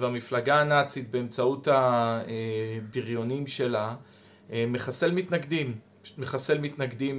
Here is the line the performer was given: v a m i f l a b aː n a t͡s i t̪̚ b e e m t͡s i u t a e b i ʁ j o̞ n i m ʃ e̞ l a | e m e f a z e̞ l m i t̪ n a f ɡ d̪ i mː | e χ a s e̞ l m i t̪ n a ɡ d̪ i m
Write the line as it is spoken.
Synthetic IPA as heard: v a m i f l a ɡ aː n a t͡s i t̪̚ b e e m t͡s a u t a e b i ʁ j o̞ n i m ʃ e̞ l a | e m e χ a s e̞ l m i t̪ n a ɡ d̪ i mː | e χ a s e̞ l m i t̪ n a ɡ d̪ i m